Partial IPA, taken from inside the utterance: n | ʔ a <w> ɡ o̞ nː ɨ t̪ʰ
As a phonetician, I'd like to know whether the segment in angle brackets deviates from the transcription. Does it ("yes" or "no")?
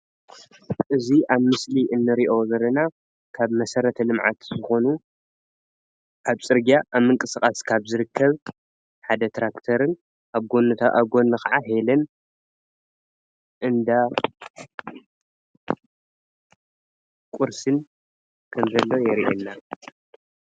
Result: yes